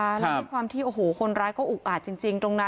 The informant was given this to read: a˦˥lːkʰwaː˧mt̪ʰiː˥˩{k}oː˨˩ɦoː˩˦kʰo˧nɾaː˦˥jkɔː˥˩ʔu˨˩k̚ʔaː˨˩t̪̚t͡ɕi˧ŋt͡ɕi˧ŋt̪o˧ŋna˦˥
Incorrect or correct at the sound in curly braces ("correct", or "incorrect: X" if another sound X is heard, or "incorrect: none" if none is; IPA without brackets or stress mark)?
incorrect: ʔ